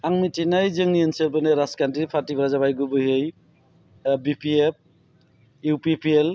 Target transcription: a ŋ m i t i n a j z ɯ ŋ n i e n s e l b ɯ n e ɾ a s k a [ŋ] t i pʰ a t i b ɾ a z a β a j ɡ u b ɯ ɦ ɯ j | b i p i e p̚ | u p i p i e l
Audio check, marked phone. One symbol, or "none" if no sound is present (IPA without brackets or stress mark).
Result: n